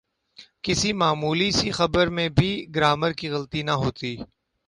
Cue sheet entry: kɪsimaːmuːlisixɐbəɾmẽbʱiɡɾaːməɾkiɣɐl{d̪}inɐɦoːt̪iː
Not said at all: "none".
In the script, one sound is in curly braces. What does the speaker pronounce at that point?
t̪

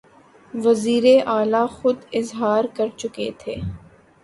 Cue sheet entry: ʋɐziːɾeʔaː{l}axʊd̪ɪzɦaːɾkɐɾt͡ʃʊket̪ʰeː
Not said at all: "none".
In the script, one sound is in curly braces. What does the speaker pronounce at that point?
l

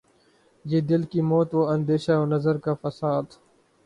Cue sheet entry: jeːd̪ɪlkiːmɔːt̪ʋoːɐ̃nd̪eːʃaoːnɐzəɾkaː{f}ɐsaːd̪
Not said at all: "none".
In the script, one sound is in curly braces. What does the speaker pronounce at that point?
f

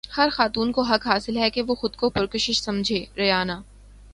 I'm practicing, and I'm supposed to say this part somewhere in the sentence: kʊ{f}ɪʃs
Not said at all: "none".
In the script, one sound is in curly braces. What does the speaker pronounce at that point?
ʃ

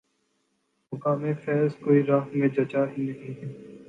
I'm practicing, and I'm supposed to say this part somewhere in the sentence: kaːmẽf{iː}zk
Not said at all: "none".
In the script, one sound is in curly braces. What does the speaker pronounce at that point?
ɛː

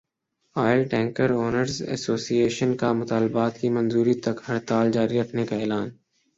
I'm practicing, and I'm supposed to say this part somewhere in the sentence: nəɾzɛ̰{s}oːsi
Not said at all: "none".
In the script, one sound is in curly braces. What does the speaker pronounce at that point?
s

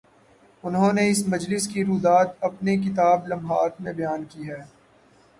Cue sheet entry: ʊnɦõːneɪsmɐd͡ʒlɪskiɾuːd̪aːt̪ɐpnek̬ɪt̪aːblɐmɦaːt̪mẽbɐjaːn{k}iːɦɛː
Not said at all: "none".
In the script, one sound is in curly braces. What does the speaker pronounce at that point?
k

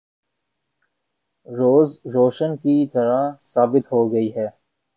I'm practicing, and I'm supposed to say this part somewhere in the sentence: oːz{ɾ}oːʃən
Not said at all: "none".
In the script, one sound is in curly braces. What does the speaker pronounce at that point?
ɾ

